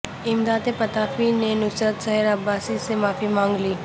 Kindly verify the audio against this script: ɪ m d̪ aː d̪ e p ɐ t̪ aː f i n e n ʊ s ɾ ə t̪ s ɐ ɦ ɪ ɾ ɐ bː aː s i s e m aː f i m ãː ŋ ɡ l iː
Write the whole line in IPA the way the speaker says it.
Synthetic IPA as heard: ɪ m d̪ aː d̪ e p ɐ t̪ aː f i n e n ʊ s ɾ ə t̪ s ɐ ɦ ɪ ɾ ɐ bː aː s i s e m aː f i m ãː ŋ ɡ l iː